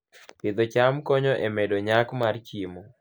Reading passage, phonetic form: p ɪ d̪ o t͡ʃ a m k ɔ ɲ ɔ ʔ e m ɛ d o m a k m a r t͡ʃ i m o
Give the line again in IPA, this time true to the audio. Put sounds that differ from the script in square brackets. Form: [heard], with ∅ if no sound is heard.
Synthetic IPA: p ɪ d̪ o t͡ʃ a m k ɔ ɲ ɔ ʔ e m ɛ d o [ɲ] a k m a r t͡ʃ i m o